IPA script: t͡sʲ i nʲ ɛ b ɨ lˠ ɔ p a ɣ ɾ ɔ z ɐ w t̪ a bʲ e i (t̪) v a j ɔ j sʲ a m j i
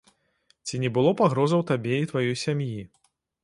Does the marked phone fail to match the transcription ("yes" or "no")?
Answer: no